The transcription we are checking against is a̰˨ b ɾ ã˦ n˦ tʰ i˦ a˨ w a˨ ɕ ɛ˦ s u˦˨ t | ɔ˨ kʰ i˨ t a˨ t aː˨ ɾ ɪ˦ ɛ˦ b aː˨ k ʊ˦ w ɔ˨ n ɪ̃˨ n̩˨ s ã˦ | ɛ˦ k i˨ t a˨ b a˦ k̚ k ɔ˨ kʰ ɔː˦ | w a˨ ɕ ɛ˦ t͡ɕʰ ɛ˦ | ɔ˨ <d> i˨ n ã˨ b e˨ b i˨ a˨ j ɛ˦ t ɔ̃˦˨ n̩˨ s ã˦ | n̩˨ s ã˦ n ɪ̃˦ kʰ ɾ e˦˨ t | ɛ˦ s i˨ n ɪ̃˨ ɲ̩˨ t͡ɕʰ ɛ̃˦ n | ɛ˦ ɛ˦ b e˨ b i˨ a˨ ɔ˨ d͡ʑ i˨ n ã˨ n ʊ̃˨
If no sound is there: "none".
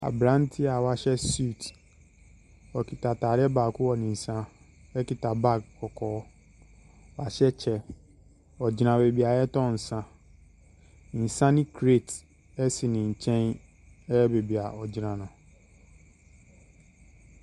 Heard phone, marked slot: d͡ʑ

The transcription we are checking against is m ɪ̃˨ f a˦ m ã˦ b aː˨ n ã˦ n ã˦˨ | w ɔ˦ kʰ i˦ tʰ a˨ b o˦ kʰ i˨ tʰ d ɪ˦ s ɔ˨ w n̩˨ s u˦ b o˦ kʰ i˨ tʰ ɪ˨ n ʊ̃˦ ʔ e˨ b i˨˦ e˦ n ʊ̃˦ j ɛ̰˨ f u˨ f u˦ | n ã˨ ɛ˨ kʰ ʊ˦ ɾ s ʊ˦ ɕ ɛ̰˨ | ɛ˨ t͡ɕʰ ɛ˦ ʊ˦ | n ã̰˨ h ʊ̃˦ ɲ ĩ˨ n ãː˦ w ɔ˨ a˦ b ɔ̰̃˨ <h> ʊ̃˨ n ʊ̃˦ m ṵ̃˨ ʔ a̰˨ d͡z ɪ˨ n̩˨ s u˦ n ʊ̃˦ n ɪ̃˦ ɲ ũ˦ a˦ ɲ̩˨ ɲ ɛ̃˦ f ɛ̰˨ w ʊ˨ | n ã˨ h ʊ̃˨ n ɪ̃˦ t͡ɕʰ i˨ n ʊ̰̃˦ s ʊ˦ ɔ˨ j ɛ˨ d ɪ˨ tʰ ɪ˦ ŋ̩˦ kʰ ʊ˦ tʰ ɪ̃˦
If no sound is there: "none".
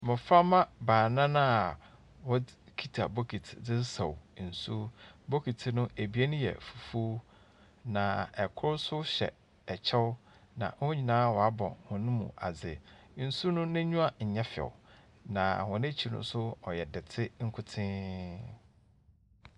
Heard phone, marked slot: h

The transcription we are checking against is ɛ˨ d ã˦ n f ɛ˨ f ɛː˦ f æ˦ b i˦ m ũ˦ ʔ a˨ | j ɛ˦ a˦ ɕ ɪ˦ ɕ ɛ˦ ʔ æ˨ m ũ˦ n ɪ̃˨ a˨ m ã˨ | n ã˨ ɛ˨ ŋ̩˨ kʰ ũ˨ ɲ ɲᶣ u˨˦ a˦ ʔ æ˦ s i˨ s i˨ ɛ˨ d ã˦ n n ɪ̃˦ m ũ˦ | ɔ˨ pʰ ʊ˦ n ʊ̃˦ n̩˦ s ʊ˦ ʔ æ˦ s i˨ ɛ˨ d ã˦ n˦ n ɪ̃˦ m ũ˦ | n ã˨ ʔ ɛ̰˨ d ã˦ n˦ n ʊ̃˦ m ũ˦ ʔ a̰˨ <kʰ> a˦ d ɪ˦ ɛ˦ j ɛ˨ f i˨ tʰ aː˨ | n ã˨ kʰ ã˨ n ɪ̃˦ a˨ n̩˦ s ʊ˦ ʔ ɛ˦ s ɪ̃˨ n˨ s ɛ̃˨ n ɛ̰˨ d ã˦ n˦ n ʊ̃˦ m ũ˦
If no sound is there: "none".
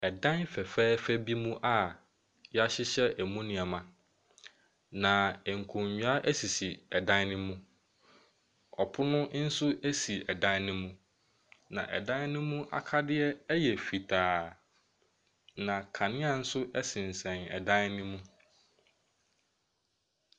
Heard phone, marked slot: kʰ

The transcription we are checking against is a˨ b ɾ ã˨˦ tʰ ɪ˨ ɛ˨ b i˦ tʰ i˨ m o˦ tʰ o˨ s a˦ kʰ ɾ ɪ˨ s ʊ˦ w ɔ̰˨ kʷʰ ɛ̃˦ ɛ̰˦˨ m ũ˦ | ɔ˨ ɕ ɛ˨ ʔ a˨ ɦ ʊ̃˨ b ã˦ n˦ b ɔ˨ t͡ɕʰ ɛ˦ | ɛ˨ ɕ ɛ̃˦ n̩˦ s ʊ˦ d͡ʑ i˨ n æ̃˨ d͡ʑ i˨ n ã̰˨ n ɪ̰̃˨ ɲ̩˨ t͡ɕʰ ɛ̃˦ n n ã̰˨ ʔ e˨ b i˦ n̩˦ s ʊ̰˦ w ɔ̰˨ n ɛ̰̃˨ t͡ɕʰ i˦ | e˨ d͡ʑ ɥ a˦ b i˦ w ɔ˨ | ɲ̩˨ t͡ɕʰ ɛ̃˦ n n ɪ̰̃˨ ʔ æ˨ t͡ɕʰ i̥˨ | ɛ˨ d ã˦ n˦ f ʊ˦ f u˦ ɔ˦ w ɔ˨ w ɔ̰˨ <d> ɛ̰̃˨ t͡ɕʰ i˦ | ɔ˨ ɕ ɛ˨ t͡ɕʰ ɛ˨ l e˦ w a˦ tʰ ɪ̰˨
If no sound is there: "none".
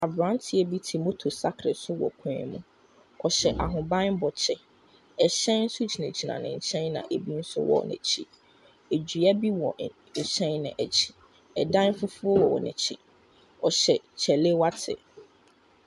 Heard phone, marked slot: n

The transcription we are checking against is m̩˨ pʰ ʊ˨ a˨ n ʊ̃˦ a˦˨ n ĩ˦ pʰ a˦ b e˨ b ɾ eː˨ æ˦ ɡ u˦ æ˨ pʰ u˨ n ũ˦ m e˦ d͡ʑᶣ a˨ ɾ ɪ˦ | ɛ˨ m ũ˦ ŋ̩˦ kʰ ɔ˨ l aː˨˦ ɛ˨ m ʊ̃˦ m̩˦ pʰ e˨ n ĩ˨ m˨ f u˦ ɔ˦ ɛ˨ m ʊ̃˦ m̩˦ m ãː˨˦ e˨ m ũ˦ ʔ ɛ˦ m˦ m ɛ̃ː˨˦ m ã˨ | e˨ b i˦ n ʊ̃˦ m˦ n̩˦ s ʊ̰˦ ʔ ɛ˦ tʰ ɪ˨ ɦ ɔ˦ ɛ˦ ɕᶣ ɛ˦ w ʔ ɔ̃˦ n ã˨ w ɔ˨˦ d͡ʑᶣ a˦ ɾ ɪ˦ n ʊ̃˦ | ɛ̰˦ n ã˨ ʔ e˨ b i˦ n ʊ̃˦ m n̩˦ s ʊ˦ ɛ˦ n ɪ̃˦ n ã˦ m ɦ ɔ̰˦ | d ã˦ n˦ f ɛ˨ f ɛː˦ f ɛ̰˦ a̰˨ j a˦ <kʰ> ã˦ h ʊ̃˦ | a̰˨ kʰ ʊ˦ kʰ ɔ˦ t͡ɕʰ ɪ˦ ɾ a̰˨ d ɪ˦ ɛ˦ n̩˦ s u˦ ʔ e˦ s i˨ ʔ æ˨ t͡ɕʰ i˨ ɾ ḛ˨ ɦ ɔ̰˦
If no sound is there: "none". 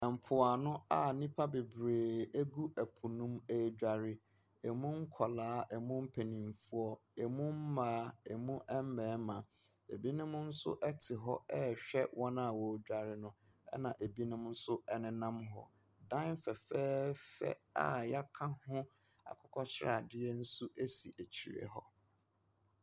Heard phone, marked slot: kʰ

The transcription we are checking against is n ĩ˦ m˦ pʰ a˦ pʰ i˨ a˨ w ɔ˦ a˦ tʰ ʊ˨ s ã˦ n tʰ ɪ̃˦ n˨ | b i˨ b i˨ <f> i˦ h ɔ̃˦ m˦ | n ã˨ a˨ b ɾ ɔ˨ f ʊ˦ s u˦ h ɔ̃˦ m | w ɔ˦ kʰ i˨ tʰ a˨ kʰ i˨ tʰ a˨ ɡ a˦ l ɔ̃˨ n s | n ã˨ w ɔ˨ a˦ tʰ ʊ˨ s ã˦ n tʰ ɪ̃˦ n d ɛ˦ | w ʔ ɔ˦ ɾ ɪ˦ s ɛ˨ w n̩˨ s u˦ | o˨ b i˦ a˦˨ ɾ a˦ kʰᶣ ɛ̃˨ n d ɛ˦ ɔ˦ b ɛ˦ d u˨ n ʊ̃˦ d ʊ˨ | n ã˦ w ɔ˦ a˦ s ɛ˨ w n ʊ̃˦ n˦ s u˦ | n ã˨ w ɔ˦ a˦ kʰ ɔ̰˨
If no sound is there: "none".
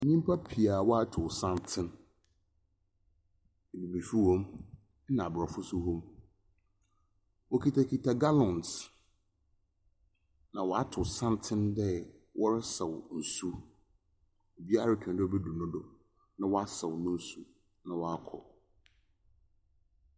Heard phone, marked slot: f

